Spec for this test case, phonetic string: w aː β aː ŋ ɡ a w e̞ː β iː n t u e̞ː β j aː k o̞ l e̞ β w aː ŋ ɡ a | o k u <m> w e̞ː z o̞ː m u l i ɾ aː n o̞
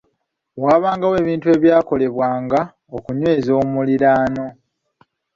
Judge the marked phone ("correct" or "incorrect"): incorrect